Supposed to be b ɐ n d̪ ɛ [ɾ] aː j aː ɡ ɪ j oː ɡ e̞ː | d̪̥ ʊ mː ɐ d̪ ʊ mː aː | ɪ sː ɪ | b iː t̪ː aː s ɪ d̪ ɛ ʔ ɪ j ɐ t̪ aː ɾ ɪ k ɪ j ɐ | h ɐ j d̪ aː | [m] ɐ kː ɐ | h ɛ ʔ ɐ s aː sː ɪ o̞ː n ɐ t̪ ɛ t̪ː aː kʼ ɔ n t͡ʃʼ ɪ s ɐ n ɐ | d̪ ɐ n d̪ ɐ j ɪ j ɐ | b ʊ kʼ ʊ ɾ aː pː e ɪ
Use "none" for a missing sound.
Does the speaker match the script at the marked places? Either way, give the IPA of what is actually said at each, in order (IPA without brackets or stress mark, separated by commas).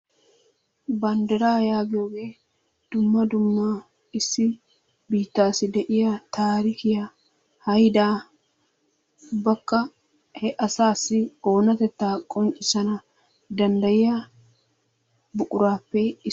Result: ɾ, b